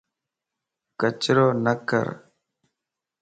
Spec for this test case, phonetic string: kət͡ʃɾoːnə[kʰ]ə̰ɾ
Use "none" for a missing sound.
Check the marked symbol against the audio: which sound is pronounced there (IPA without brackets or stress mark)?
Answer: k